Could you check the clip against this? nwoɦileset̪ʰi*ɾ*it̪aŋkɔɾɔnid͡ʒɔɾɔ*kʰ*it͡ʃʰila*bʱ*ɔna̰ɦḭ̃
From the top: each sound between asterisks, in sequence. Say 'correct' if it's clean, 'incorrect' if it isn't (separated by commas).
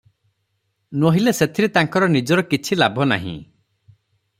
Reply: correct, incorrect, correct